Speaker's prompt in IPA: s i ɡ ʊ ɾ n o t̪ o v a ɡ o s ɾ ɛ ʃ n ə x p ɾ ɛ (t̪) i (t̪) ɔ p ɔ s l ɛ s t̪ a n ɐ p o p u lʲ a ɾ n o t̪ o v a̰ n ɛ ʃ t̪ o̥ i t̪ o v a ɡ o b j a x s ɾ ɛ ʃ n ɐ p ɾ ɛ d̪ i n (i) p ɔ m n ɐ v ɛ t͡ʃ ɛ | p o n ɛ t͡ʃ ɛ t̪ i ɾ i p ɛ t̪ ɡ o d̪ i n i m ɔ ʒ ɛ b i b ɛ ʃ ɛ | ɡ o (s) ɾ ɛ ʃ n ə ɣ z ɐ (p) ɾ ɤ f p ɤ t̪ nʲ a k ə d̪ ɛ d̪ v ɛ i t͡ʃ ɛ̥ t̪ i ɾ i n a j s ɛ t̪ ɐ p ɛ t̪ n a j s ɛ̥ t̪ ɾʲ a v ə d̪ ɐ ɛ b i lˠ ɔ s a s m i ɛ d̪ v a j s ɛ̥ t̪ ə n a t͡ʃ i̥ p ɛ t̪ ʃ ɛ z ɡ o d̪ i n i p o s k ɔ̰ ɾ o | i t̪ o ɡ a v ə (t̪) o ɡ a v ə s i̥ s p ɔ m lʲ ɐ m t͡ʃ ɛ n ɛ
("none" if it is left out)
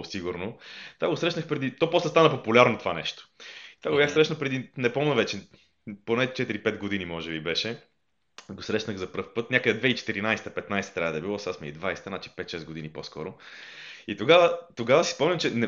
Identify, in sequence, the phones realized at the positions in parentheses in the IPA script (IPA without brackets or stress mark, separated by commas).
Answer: d̪, t̪, ɛ, s, p, t̪